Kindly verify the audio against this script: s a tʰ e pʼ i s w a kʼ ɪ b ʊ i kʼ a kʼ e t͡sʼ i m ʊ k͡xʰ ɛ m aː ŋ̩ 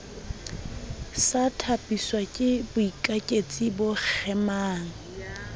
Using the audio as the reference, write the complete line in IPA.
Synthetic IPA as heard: s a tʰ a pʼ i s w a kʼ ɪ b ʊ i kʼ a kʼ e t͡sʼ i b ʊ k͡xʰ ɛ m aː ŋ̩